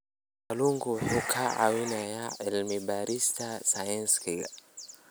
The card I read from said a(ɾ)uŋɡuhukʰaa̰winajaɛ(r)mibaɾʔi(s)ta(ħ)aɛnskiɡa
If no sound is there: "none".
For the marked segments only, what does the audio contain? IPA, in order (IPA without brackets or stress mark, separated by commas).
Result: l, l, s, s